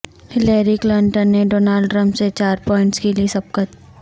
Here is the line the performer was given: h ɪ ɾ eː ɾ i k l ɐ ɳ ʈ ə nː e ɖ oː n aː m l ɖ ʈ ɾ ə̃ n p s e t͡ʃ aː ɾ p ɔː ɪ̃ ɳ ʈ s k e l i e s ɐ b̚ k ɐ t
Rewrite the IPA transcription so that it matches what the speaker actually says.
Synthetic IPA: h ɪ l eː ɾ i k l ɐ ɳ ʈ ə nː e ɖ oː n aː l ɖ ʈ ɾ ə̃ m p s e t͡ʃ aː ɾ p ɔː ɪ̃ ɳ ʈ s k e l i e s ɐ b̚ k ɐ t